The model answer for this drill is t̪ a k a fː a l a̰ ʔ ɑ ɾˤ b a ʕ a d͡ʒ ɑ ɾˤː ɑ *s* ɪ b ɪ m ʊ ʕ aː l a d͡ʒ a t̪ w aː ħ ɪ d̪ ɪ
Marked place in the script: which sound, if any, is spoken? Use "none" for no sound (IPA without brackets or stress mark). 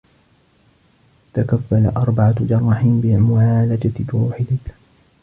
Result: ħ